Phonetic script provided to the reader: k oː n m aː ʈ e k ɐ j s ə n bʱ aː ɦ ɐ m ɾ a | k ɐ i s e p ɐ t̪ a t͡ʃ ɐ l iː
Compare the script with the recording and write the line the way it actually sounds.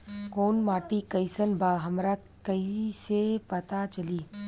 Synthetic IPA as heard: k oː n m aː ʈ i k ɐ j s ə n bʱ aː ɦ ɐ m ɾ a | k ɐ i s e p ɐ t̪ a t͡ʃ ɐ l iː